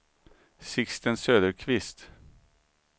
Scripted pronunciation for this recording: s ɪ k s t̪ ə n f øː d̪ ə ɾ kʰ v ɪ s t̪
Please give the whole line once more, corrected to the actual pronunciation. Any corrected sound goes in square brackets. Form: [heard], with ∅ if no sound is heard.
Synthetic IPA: s ɪ k s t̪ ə n [s] øː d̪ ə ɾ kʰ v ɪ s t̪